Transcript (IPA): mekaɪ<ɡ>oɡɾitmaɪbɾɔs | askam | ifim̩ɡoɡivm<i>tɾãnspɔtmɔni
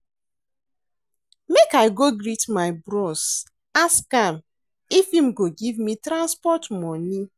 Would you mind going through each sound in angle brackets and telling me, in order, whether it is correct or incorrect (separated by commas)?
correct, correct